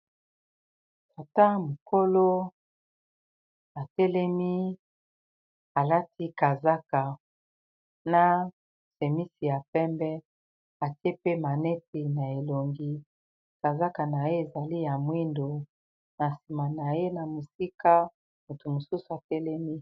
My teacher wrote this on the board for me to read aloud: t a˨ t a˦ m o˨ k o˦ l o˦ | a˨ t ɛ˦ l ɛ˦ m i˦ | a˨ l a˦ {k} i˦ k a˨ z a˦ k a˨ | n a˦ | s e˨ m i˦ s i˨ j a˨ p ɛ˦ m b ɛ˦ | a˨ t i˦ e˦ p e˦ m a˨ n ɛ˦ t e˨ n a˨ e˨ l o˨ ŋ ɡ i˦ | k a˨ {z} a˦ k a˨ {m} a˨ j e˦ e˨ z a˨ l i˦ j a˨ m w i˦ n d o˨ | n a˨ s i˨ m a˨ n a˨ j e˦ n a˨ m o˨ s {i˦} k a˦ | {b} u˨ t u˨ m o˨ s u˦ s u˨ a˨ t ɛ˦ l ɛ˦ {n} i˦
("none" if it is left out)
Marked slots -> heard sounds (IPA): t, z, n, i˦, m, m

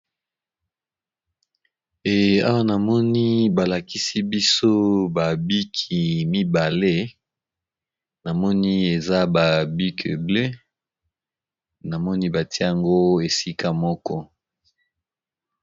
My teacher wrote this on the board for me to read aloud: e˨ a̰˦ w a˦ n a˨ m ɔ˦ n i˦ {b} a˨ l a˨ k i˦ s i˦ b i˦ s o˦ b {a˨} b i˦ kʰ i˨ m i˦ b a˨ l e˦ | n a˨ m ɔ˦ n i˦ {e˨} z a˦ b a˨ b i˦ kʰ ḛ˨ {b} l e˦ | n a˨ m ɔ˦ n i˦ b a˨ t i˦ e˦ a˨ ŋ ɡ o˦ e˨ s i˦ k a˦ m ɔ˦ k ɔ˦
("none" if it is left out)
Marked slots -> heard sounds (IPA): b, a˨, e˨, b

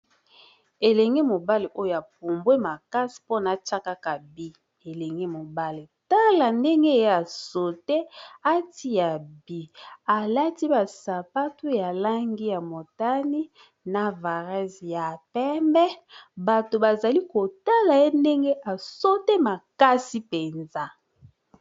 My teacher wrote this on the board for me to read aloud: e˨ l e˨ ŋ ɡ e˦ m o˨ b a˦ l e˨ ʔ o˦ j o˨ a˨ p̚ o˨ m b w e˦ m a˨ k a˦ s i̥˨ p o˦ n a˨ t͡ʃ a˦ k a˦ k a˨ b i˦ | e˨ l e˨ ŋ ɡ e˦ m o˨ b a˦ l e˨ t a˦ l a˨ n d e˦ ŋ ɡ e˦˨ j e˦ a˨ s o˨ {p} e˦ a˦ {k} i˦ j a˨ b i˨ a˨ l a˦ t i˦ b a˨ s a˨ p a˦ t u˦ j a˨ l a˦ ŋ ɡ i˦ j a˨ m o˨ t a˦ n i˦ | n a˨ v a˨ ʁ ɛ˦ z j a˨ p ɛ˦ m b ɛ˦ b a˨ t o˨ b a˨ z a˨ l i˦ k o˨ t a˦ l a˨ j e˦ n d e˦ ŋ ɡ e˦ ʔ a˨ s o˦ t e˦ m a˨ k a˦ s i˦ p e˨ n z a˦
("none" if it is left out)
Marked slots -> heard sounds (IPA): t, t

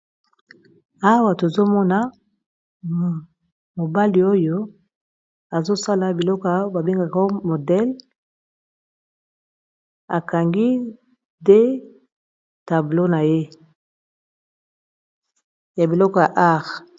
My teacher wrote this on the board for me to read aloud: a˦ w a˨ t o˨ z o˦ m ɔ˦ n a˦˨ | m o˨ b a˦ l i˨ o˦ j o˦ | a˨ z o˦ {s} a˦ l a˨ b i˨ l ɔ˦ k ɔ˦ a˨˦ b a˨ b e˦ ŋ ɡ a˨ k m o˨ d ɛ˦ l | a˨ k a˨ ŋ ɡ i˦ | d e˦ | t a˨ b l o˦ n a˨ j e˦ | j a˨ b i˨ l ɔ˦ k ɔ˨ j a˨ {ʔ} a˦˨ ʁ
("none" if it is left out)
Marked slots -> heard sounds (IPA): s, ʔ

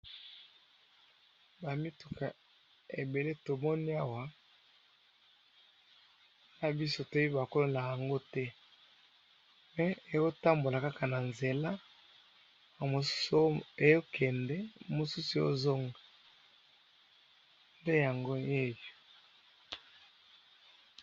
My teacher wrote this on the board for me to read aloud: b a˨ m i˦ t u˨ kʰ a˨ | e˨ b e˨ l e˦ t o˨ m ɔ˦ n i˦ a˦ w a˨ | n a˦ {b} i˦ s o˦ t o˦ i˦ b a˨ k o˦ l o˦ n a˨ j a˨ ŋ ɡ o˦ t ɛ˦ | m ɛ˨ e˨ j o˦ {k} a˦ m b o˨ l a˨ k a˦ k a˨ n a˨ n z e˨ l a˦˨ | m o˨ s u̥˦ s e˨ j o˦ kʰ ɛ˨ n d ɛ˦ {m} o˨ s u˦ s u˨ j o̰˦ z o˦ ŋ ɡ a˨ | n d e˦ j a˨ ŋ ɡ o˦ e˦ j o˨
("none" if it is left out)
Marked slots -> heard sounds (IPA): b, t, m

